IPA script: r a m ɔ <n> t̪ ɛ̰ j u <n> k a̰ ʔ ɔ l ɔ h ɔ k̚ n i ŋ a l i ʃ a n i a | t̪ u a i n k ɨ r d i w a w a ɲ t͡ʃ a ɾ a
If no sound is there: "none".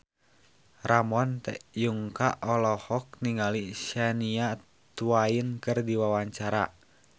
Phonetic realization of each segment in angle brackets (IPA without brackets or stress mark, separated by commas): n, ŋ